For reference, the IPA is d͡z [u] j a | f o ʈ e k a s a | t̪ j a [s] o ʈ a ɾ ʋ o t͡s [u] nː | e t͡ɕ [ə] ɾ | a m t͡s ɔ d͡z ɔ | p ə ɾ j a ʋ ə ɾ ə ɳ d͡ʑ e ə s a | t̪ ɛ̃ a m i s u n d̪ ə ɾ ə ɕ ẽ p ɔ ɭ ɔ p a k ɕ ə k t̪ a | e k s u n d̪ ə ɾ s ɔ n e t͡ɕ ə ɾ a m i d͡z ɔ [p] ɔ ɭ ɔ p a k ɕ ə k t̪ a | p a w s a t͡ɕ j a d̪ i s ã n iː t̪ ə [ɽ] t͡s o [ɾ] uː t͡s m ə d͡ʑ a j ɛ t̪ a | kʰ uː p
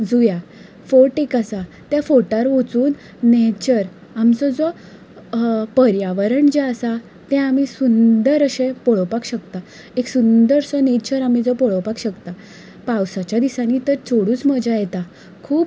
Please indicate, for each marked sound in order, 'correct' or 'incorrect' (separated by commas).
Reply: correct, incorrect, incorrect, correct, correct, incorrect, incorrect